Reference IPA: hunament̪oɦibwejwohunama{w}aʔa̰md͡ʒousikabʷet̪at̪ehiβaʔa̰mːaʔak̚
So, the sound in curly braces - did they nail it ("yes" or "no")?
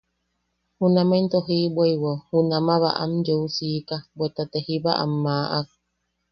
no